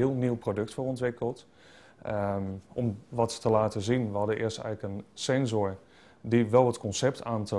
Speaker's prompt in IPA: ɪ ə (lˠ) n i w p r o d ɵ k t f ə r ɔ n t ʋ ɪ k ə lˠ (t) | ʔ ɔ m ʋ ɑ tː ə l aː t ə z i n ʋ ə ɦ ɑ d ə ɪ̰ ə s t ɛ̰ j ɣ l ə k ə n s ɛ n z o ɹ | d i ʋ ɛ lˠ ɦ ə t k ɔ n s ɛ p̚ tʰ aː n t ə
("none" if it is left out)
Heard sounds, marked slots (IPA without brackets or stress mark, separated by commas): lˠ, t